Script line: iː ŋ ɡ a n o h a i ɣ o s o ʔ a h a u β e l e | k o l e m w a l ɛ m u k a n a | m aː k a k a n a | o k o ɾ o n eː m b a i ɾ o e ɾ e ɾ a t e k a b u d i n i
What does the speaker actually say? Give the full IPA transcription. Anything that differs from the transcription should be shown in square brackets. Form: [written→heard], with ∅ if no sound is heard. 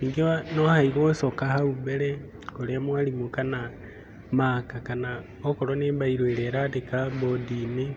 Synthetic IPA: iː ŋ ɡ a n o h a i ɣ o s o [ʔ→k] a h a u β e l e | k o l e m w a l [ɛ→i] m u k a n a | m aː k a k a n a | o k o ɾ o n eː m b a i ɾ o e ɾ e ɾ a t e k a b [u→o] d i n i